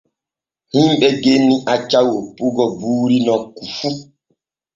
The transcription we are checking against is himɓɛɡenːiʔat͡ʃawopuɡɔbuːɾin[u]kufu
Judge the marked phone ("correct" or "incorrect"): incorrect